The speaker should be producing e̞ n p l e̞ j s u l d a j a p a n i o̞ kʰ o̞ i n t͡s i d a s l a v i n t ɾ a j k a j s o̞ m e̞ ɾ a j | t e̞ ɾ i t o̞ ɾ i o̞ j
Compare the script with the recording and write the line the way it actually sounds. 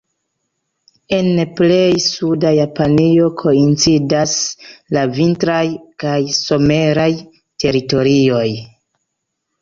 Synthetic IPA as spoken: e̞ n p l e̞ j s u d a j a p a n i o̞ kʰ o̞ i n t͡s i d a s l a v i n t ɾ a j k a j s o̞ m e̞ ɾ a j | t e̞ ɾ i t o̞ ɾ i o̞ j